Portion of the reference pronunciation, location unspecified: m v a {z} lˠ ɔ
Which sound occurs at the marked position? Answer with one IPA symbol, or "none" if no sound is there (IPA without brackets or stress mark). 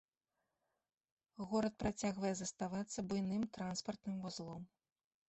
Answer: z